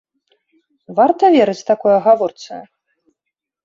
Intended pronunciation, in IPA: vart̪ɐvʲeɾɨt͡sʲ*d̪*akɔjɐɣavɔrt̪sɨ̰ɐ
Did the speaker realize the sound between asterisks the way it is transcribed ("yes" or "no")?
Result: no